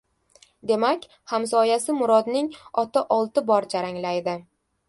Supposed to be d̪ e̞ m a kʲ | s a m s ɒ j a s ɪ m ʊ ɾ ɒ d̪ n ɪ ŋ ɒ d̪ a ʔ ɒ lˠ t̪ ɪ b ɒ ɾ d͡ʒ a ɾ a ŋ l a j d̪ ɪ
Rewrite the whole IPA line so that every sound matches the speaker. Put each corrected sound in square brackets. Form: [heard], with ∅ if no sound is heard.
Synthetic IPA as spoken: d̪ e̞ m a kʲ | [h] a m s ɒ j a s ɪ m ʊ ɾ ɒ d̪ n ɪ ŋ ɒ [t̪] a ʔ ɒ lˠ t̪ ɪ b ɒ ɾ d͡ʒ a ɾ a ŋ l a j d̪ ɪ